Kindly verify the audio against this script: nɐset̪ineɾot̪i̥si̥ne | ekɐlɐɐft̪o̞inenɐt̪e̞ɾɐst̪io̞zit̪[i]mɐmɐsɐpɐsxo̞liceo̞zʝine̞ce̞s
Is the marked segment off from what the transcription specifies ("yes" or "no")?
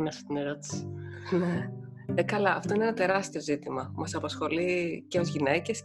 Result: no